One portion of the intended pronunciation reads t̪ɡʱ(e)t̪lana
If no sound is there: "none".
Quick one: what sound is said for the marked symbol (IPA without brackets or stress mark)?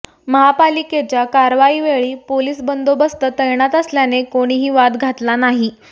a